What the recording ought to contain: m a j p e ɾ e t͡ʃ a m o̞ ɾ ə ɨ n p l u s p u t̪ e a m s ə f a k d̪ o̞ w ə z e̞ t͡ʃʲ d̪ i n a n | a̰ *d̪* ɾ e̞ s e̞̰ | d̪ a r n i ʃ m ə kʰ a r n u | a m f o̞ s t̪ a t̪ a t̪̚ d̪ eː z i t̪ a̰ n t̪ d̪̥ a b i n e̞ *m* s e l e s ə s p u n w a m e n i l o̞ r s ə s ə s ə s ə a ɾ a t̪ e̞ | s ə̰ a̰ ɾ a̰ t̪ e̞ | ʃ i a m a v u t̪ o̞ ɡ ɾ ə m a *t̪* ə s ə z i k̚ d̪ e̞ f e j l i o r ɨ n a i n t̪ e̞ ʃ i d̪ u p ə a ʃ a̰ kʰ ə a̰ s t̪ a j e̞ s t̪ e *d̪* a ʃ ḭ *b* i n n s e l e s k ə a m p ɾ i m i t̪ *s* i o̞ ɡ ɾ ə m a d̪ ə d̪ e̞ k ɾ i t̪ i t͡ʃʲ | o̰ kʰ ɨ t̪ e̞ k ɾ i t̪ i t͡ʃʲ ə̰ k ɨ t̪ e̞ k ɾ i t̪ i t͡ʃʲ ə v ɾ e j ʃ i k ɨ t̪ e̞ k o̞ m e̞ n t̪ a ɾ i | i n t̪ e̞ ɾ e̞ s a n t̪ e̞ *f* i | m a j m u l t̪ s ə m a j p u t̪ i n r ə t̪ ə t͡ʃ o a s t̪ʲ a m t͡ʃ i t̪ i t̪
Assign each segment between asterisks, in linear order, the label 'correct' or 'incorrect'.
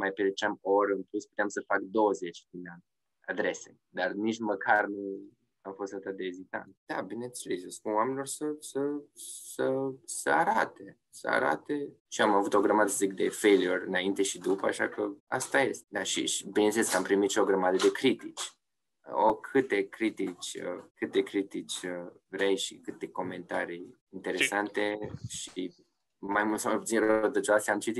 correct, incorrect, incorrect, correct, correct, incorrect, incorrect

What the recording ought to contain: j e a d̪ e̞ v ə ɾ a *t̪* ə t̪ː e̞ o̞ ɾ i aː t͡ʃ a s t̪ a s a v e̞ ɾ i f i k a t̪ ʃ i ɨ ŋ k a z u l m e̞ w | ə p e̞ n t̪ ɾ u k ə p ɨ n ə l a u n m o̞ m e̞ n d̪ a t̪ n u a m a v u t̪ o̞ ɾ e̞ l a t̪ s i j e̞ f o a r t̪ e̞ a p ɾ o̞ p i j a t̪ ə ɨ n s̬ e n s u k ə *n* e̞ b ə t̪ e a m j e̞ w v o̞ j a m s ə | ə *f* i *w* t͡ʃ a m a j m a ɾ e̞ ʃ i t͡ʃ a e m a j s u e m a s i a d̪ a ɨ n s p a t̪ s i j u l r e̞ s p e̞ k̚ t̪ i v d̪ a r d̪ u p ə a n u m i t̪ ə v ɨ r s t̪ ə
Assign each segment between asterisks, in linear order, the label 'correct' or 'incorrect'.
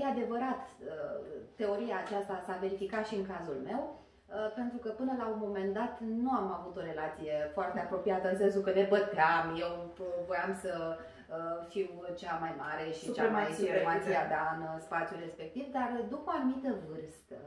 correct, correct, correct, correct

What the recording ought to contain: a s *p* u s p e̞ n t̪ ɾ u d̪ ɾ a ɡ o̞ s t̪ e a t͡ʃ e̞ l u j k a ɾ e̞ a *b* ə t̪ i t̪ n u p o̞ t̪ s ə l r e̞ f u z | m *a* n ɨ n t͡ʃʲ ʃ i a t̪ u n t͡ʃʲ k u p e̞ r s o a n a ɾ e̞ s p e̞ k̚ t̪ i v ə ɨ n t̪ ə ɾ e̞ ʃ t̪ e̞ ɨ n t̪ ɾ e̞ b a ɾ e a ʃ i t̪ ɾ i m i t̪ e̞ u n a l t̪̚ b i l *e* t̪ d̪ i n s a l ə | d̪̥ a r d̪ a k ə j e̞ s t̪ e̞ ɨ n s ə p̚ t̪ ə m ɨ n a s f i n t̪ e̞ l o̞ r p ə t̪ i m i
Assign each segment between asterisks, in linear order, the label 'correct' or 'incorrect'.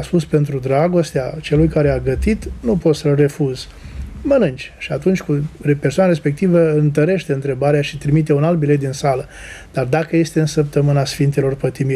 correct, incorrect, incorrect, correct

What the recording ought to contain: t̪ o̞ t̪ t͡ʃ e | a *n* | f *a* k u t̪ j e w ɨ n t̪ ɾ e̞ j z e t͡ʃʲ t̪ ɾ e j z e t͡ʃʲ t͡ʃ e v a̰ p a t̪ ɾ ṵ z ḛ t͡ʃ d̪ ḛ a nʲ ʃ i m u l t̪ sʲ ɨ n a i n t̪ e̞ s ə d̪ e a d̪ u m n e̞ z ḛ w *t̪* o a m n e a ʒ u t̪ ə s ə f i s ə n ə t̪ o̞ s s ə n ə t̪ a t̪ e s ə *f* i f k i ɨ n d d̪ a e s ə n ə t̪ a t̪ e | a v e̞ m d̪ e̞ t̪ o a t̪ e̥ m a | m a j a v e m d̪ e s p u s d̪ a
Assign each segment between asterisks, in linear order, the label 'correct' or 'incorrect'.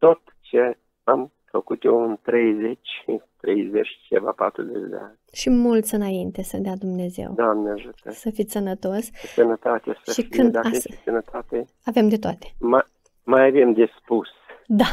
incorrect, incorrect, incorrect, incorrect

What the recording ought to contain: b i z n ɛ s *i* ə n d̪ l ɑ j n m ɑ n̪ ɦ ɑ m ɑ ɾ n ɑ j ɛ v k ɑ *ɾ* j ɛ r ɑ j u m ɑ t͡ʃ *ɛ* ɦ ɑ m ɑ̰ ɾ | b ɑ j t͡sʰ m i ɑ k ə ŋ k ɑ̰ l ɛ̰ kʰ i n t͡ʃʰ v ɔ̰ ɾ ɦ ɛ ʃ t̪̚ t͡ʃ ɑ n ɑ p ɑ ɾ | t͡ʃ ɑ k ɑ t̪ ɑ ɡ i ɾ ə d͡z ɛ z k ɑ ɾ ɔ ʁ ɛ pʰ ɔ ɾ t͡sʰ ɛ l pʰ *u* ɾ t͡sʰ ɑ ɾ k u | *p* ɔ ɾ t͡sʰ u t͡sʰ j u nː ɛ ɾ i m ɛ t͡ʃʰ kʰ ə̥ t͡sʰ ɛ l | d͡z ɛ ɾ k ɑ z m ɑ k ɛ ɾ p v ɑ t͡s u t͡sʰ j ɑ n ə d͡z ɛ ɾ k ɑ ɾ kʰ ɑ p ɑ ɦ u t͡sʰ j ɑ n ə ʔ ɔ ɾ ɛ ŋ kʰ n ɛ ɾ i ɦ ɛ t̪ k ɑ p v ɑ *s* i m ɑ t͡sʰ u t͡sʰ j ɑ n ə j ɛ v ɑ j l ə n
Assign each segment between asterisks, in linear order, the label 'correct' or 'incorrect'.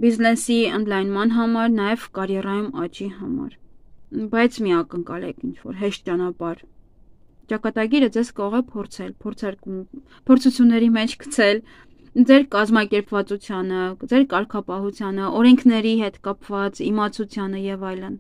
correct, correct, incorrect, incorrect, incorrect, incorrect

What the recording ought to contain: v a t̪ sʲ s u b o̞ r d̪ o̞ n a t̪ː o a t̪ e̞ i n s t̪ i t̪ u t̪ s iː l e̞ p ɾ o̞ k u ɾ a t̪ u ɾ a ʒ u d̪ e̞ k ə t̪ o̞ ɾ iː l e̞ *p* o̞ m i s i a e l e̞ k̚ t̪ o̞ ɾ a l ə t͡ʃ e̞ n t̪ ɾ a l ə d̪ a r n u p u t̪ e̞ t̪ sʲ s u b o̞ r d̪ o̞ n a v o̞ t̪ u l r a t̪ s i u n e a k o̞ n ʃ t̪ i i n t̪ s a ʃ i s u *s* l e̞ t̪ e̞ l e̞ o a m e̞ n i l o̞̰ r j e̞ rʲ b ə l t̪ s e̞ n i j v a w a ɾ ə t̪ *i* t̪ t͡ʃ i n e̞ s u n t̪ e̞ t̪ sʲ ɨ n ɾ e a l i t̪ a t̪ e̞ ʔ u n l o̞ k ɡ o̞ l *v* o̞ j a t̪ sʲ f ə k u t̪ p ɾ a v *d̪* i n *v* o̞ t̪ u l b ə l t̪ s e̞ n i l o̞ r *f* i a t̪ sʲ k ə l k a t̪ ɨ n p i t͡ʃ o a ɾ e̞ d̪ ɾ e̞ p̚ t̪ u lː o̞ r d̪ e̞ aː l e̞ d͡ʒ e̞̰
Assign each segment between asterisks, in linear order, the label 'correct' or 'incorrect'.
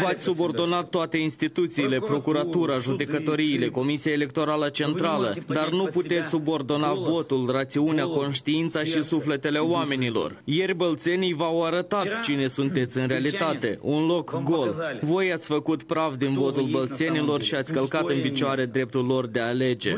incorrect, incorrect, incorrect, correct, correct, correct, incorrect

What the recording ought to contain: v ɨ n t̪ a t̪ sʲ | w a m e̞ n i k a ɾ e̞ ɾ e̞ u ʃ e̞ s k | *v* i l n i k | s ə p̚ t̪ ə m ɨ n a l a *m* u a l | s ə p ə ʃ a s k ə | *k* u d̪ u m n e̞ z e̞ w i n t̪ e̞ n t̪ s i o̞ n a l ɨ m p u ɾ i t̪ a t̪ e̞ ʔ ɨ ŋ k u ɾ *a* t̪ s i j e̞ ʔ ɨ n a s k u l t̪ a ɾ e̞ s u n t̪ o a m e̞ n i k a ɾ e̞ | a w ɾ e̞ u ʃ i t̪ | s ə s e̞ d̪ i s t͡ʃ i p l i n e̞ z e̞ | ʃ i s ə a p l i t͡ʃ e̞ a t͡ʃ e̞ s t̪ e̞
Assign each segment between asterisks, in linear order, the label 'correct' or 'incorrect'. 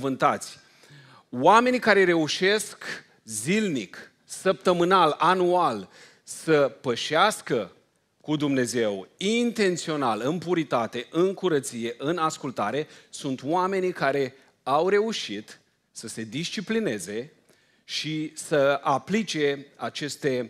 incorrect, incorrect, correct, incorrect

